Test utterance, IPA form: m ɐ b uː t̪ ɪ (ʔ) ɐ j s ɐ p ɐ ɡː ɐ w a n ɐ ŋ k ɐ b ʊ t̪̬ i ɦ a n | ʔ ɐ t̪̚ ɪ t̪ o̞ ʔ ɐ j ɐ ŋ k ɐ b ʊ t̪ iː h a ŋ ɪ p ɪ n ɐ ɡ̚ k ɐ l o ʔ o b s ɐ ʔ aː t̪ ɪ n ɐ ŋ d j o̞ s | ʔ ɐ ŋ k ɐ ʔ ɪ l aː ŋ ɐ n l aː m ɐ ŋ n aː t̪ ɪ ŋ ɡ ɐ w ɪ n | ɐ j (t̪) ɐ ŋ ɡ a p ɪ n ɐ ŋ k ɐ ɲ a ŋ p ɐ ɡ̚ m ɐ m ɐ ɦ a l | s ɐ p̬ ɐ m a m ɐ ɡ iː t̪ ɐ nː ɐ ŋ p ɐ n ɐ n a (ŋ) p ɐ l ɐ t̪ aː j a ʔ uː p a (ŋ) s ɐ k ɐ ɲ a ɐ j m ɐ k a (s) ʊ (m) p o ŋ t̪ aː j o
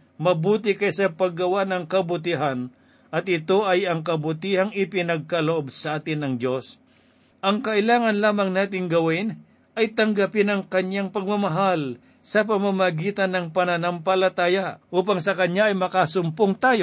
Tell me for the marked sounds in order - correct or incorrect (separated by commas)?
incorrect, correct, incorrect, correct, correct, correct